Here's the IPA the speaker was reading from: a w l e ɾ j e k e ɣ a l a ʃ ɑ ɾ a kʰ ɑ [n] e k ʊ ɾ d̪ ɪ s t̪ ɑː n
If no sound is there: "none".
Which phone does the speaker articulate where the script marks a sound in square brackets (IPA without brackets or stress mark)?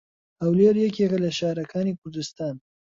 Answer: n